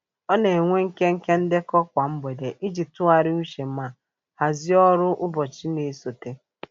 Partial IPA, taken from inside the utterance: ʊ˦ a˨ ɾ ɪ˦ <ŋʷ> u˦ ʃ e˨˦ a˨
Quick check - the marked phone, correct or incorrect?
incorrect